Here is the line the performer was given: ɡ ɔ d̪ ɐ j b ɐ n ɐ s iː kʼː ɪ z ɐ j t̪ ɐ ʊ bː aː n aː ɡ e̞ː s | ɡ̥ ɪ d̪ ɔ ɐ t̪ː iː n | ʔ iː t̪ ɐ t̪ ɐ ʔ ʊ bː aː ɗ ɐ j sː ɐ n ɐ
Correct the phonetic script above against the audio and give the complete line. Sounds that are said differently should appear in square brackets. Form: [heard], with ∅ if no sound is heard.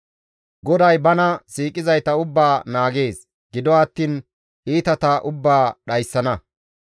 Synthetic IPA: ɡ ɔ d̪ ɐ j b ɐ n ɐ s iː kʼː ɪ z ɐ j t̪ ɐ ʊ bː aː n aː ɡ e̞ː s | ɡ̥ ɪ d̪ ɔ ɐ t̪ː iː n | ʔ iː t̪ ɐ t̪ ɐ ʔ ʊ bː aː ɗ ɐ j sː ɐ n ɐ